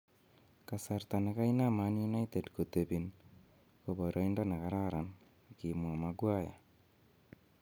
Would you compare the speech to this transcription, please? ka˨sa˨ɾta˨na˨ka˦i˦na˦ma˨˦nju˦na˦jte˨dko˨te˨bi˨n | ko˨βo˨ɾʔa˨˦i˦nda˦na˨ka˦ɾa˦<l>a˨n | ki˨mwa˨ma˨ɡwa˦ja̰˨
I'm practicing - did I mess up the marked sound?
yes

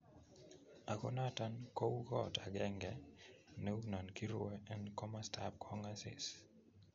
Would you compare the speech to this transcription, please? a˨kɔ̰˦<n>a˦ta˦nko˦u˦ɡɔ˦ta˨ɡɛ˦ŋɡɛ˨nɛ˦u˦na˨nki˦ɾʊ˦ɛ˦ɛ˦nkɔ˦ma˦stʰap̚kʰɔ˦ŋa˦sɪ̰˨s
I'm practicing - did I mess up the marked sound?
no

